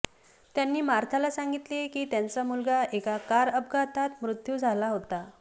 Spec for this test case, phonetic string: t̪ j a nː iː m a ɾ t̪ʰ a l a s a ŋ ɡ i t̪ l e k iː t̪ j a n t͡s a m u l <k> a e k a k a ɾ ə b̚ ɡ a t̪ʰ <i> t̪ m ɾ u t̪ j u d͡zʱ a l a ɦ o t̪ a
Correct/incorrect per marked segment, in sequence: incorrect, incorrect

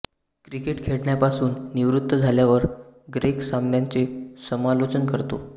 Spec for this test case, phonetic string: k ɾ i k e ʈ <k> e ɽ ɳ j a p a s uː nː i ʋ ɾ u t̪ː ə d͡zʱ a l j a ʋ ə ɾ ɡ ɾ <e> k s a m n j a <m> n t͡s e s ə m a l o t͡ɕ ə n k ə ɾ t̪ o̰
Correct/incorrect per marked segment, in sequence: incorrect, correct, incorrect

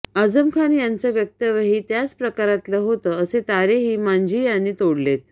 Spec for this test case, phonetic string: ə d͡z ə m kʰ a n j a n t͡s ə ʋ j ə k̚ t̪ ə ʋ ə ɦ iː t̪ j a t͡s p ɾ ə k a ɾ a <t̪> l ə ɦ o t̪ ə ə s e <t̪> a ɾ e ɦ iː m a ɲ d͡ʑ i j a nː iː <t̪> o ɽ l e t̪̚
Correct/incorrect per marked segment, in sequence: correct, correct, correct

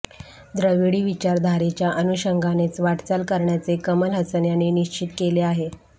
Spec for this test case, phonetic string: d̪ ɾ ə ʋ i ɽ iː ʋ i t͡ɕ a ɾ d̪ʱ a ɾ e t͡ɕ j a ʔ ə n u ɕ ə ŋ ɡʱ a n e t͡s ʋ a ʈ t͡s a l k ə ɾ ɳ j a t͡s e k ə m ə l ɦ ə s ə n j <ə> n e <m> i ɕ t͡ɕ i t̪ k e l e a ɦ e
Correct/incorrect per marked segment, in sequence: incorrect, incorrect

